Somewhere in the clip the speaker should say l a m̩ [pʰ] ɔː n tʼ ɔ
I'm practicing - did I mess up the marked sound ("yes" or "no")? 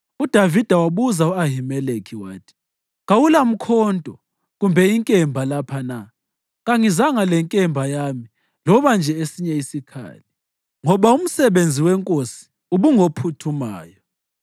yes